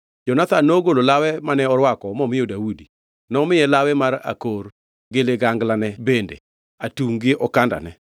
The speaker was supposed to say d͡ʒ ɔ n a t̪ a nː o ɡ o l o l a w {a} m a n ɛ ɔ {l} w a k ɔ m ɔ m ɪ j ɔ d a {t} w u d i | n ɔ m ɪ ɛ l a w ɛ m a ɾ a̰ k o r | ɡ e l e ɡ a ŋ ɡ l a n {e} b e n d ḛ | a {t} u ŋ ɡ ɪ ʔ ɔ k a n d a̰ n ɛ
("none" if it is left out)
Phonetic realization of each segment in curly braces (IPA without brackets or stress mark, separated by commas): ɛ, ɾ, none, ɛ, t